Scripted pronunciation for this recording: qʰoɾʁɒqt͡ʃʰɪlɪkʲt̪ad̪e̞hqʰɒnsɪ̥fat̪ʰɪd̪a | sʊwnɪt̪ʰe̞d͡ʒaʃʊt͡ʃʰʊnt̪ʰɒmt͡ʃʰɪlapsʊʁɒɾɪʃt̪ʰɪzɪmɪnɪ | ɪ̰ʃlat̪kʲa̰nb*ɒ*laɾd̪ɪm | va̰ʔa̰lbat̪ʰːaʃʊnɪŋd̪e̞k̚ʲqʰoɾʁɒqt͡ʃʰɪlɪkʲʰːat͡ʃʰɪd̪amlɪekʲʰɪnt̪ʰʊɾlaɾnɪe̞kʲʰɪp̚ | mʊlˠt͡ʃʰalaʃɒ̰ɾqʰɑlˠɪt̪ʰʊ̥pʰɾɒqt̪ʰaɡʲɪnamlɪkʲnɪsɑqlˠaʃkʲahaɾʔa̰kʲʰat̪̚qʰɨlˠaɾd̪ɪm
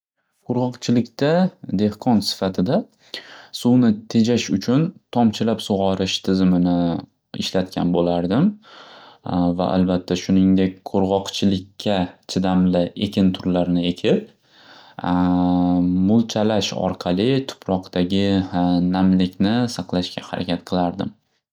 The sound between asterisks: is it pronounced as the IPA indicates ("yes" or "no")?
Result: no